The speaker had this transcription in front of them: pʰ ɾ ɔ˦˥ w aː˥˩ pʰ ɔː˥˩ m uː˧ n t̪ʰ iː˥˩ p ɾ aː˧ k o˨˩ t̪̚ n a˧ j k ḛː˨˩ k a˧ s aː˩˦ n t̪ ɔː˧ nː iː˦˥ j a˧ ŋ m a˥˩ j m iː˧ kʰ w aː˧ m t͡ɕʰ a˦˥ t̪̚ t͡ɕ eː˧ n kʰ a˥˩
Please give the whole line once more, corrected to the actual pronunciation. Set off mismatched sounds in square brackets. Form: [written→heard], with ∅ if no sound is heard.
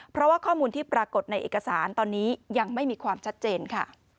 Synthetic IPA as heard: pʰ ɾ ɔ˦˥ w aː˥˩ [pʰ→kʰ] ɔː˥˩ m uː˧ n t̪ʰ iː˥˩ p ɾ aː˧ k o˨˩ t̪̚ n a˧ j [k→ʔ] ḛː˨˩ k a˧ s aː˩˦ n t̪ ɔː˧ nː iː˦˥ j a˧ ŋ m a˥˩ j m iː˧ kʰ w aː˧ m t͡ɕʰ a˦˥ t̪̚ t͡ɕ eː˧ n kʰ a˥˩